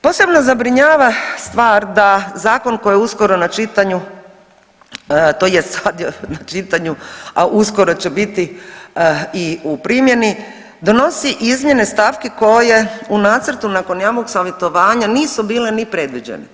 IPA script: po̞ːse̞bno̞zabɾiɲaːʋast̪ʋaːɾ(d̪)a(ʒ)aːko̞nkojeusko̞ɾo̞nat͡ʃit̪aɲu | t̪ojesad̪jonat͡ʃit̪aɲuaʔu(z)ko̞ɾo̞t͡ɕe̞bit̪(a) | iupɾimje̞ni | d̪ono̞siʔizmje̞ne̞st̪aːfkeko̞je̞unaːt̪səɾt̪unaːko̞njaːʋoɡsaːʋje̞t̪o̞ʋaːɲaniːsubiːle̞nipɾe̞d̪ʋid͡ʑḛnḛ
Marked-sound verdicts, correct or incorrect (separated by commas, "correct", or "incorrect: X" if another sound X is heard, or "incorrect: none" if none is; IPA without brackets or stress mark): correct, incorrect: z, incorrect: s, incorrect: i